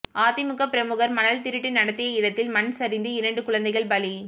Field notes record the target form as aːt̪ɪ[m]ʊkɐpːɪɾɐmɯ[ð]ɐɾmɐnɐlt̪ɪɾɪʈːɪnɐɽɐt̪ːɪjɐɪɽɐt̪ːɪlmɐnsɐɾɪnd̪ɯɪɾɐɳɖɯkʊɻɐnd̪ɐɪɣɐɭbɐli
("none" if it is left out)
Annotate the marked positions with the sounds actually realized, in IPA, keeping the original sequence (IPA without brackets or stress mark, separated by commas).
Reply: m, ɣ